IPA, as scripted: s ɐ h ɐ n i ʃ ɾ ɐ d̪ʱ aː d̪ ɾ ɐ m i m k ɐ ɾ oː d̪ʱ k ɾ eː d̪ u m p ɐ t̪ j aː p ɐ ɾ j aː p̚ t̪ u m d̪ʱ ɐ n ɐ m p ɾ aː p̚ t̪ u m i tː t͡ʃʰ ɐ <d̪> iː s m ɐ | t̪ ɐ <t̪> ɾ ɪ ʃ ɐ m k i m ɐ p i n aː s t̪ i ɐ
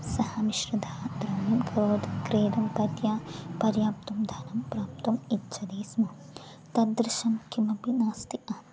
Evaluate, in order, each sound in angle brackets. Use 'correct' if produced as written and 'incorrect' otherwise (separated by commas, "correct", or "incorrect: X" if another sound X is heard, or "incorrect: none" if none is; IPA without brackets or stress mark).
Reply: correct, incorrect: d̪